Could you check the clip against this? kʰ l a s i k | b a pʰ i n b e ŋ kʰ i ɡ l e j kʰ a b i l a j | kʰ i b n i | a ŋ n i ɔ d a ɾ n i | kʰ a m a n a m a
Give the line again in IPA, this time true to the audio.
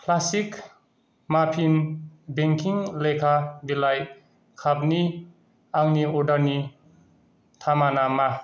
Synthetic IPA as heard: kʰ l a s i k | m a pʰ i n b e ŋ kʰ i ŋ l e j kʰ a b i l a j | kʰ a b n i | a ŋ n i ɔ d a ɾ n i | tʰ a m a n a m a

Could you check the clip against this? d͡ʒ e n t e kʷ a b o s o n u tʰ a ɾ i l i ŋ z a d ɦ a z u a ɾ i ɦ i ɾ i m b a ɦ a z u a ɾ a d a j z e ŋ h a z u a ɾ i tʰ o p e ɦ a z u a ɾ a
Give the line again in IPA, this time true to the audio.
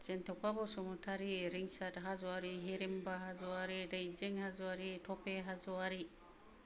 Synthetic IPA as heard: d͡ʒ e n t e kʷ a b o s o m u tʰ a ɾ i ɾ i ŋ s a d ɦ a z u a ɾ i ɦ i ɾ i m b a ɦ a z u a ɾ i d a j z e ŋ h a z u a ɾ i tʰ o p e ɦ a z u a ɾ i

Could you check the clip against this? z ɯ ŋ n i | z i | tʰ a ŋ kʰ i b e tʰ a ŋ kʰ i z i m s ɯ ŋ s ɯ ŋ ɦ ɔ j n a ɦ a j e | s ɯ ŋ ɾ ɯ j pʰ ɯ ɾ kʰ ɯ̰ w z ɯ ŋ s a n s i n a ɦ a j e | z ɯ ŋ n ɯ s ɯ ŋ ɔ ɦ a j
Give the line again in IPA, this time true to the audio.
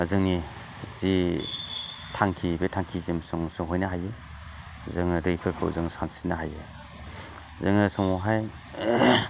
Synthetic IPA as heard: z ɯ ŋ n i | z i | tʰ a ŋ kʰ i b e tʰ a ŋ kʰ i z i m s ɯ ŋ s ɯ ŋ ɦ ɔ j n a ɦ a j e | z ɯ ŋ ɾ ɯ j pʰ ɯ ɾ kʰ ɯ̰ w z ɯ ŋ s a n s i n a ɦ a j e | z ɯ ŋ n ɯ s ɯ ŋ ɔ ɦ a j

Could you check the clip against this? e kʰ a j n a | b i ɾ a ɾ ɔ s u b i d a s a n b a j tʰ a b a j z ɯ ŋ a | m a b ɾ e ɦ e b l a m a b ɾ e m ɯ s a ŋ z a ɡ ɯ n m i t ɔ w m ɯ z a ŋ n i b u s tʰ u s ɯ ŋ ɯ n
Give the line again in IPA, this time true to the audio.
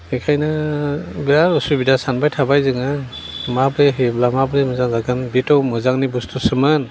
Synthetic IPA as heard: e kʰ a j n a | b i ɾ a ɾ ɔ s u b i d a s a n b a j tʰ a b a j z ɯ ŋ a | m a b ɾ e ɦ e b l a m a b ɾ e m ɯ z a ŋ z a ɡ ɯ n b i t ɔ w m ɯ z a ŋ n i b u s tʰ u s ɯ m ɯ n

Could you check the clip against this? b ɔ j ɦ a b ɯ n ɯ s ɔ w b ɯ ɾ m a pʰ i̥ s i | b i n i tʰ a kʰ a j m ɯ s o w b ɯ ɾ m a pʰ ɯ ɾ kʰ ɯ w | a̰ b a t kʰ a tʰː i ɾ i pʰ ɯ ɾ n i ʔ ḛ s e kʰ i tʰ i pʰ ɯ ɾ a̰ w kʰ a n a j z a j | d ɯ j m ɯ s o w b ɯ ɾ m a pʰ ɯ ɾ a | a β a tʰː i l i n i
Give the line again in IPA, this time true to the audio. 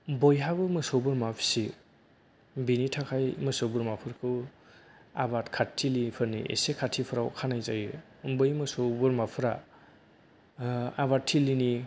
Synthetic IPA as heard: b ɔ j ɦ a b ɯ m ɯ s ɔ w b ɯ ɾ m a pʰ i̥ s i | b i n i tʰ a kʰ a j m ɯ s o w b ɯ ɾ m a pʰ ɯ ɾ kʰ ɯ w | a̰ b a t kʰ a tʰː i l i pʰ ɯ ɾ n i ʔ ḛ s e kʰ a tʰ i pʰ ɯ ɾ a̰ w kʰ a n a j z a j | b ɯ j m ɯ s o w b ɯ ɾ m a pʰ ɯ ɾ a | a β a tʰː i l i n i

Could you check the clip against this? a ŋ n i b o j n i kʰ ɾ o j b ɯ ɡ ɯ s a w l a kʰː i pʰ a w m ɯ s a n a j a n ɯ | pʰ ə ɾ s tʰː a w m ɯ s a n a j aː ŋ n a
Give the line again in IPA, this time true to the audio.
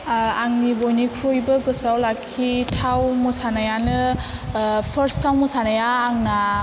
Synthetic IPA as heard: a ŋ n i b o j n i kʰ ɾ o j b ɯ ɡ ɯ s a w l a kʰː i tʰ a w m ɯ s a n a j a n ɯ | pʰ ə ɾ s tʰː a w m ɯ s a n a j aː ŋ n a

